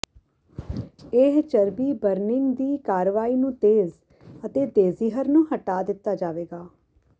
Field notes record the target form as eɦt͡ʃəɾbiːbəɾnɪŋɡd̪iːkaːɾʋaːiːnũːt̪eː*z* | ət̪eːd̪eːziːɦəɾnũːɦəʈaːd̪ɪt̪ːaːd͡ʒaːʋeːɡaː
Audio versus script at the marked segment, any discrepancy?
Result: no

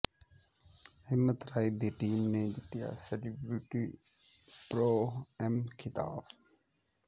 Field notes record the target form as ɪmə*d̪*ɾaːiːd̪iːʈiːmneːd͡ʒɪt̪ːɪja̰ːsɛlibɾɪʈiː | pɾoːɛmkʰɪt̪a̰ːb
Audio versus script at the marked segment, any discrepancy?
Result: yes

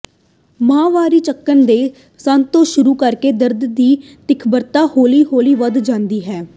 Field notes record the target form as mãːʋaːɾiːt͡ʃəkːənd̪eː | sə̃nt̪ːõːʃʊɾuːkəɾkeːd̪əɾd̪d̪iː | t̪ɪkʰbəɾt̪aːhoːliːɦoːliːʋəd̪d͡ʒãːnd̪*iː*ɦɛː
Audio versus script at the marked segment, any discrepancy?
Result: no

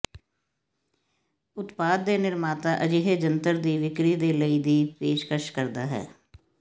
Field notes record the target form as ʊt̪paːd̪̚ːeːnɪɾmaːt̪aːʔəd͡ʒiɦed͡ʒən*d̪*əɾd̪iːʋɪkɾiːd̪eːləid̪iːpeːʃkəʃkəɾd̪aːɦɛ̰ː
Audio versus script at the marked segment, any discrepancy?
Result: yes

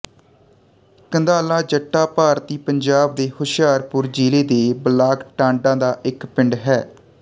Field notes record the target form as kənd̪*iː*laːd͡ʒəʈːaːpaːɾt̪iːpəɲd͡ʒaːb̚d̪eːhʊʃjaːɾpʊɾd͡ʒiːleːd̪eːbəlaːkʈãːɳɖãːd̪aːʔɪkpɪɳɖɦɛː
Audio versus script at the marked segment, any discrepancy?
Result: yes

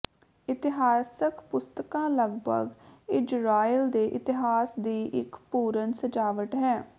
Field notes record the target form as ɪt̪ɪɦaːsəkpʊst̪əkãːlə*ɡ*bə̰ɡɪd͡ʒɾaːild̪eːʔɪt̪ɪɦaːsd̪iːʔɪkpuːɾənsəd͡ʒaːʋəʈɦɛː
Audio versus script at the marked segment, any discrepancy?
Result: no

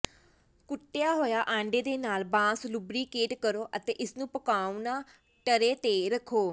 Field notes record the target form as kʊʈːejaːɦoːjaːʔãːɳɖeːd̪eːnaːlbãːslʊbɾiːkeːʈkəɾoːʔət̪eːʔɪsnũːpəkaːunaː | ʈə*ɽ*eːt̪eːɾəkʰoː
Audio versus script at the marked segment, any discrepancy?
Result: yes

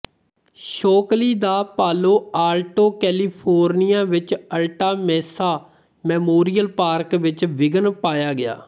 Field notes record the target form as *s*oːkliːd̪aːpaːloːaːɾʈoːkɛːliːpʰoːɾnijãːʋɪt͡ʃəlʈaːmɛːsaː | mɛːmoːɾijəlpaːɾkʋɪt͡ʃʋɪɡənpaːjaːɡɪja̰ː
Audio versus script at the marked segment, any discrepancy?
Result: yes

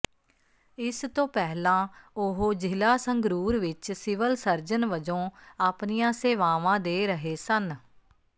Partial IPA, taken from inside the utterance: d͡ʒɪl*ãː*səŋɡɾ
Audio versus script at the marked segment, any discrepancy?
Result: yes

